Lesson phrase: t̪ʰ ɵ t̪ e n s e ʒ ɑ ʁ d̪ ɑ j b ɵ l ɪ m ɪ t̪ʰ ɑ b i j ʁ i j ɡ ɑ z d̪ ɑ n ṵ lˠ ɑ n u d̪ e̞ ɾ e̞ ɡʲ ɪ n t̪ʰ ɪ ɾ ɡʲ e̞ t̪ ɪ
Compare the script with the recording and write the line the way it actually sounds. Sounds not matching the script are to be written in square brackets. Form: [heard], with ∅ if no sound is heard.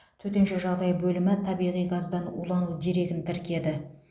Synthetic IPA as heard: t̪ʰ ɵ t̪ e n [ʃ] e ʒ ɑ ʁ d̪ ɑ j b ɵ l ɪ m ɪ t̪ʰ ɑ b i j ʁ i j ɡ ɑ z d̪ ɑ n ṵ lˠ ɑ n u d̪ e̞ ɾ e̞ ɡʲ ɪ n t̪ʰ ɪ ɾ [kʲ] e̞ [d̪] ɪ